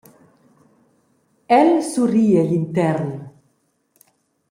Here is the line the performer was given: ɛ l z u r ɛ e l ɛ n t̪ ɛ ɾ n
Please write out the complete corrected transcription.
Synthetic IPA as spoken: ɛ l s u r i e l i n t̪ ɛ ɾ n